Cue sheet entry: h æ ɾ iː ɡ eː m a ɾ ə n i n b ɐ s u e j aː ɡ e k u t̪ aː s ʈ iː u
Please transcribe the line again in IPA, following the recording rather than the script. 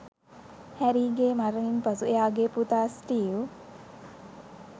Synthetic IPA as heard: h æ ɾ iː ɡ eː m a ɾ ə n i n p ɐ s u e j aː ɡ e p u t̪ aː s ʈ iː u